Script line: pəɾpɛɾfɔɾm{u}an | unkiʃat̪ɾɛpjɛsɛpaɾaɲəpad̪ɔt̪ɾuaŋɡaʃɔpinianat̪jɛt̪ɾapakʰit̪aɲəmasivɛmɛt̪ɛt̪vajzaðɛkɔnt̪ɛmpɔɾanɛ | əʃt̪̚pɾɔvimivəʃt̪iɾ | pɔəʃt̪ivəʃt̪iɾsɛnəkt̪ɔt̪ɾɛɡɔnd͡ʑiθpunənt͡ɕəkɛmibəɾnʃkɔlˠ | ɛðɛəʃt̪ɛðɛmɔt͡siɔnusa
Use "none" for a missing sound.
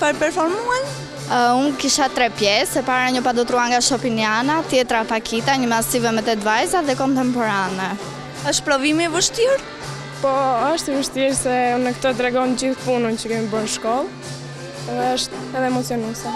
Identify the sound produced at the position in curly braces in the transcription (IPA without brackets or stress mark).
u